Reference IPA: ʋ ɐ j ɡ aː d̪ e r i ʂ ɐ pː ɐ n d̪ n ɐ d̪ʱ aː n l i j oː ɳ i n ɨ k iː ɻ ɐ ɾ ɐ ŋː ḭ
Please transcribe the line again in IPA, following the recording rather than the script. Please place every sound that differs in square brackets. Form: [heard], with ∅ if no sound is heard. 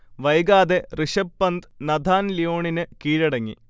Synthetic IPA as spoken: ʋ ɐ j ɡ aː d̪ e r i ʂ ɐ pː ɐ n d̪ n ɐ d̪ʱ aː n l i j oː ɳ i n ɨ k iː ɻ ɐ [ɽ] ɐ ŋː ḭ